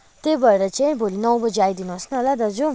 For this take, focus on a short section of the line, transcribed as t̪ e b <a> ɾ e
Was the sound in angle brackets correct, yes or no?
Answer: no